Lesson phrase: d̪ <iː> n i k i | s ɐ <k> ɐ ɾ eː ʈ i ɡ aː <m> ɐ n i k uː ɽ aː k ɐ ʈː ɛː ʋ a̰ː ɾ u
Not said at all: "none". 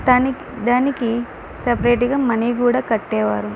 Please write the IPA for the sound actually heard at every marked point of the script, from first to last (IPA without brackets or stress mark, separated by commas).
aː, p, m